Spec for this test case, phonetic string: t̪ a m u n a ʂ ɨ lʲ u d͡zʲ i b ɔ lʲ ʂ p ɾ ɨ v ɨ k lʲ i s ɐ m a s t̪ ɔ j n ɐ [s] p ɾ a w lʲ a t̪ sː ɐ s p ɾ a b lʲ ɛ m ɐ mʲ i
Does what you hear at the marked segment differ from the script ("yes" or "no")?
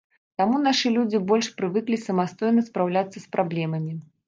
no